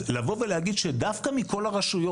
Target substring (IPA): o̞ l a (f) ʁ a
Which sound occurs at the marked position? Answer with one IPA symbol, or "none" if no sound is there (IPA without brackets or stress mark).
none